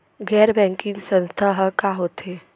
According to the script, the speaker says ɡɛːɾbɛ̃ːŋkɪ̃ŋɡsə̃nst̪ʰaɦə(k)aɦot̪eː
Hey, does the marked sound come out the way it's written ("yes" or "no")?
yes